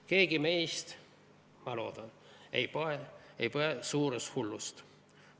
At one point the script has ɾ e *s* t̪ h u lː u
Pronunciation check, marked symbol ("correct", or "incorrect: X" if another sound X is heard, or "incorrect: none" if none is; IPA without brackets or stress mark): correct